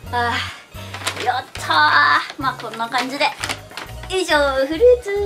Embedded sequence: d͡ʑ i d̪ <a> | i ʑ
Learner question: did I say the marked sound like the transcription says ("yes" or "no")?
no